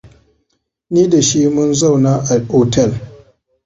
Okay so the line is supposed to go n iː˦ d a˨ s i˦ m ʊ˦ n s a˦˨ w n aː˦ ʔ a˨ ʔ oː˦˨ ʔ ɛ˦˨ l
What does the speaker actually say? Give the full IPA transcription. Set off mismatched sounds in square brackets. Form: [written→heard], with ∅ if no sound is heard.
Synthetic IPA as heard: n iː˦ d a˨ [s→ʃ] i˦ m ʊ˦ n [s→z] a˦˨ w n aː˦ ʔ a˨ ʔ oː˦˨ [ʔ→t] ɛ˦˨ l